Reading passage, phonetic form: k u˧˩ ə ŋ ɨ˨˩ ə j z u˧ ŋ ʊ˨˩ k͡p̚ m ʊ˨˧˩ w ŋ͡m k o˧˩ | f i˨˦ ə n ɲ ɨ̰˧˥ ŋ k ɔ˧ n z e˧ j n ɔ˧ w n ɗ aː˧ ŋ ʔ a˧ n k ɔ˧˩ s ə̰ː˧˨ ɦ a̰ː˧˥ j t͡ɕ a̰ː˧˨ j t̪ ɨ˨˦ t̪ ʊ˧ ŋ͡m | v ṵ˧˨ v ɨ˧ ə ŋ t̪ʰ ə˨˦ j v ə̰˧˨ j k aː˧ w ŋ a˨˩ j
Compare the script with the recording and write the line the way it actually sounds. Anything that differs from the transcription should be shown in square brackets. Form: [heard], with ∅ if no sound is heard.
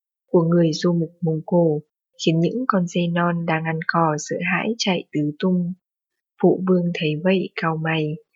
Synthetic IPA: k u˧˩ ə ŋ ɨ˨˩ ə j z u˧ [m] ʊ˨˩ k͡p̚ m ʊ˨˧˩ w ŋ͡m k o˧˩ | [x] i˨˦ ə n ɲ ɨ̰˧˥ ŋ k ɔ˧ n z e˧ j n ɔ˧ [∅] n ɗ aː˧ ŋ ʔ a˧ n k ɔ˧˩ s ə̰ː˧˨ ɦ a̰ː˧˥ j t͡ɕ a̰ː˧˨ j t̪ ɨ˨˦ t̪ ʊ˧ ŋ͡m | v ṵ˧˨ v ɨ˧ ə ŋ t̪ʰ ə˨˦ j v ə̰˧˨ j k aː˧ w [m] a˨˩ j